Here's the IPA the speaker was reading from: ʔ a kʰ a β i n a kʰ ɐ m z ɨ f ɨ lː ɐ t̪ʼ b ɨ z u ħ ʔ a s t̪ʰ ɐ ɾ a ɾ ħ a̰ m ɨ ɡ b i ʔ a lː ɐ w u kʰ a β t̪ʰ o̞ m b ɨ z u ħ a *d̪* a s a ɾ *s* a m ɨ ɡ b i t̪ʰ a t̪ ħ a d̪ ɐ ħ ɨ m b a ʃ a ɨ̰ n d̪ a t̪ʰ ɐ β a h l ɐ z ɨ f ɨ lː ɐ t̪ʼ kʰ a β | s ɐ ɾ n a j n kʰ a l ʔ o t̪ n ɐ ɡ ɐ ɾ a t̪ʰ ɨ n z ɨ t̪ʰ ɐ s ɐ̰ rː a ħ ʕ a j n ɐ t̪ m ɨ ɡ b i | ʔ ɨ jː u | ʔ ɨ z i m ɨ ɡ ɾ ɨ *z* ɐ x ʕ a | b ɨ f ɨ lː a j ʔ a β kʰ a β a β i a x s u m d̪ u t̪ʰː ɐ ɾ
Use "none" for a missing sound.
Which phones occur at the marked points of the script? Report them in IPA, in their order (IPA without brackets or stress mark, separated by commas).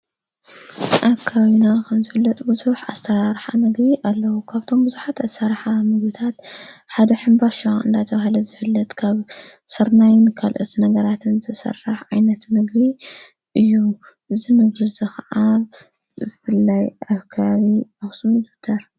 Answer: t̪, ħ, z